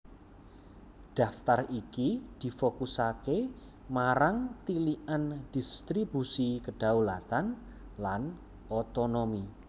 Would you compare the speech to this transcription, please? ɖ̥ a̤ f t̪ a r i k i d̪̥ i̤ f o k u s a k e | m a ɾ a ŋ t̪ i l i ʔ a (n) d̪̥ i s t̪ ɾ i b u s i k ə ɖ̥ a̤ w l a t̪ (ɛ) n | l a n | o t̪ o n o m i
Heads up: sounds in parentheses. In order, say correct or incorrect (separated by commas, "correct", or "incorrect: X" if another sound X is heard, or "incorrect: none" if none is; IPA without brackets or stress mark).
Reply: correct, incorrect: a